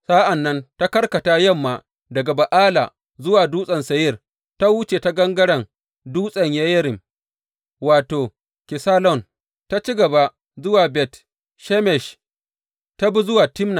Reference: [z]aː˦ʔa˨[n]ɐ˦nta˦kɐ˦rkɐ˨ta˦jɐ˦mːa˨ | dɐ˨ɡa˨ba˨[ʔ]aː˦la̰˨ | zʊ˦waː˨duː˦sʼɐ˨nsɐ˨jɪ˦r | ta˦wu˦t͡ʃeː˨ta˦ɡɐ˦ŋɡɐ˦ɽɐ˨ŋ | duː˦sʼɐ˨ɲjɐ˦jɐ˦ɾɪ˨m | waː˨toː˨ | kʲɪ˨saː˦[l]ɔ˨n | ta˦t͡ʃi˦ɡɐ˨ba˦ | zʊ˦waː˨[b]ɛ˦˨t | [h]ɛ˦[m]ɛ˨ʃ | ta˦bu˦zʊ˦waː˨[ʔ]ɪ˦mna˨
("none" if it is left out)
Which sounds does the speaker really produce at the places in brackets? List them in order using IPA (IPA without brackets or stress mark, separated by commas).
s, nː, ʔ, l, b, ʃ, m, t